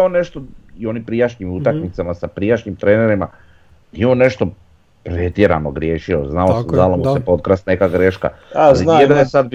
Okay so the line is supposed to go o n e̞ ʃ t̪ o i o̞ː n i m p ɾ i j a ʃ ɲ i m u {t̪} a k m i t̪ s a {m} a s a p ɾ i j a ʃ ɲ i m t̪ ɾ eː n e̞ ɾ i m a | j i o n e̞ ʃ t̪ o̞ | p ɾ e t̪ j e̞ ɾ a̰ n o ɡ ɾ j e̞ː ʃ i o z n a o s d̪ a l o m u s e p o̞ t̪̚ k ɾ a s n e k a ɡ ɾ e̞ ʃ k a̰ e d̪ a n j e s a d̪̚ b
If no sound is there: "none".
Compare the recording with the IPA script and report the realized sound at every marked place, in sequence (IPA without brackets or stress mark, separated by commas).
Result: t̪, m